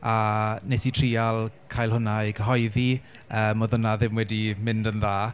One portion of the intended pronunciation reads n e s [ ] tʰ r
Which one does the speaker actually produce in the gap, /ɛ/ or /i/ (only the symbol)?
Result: i